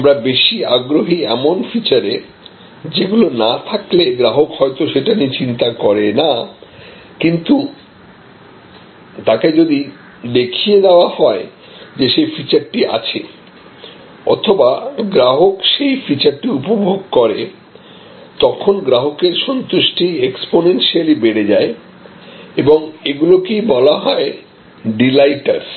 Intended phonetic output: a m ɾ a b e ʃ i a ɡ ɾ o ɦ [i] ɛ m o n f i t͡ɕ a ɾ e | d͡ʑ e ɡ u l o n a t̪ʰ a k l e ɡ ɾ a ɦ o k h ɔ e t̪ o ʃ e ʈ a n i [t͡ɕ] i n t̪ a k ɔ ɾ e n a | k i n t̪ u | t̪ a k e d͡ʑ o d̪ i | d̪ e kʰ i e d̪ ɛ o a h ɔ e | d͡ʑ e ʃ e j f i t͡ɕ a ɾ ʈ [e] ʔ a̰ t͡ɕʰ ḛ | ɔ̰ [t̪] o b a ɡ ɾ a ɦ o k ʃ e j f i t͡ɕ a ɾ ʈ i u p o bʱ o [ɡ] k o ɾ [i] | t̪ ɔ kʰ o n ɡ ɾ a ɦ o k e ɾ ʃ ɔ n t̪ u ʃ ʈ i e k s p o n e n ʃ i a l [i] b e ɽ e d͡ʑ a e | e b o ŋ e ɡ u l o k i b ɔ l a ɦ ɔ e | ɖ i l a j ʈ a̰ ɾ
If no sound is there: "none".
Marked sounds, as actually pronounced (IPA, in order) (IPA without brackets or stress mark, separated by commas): i, t͡ɕ, i, t̪ʰ, ɡ, e, i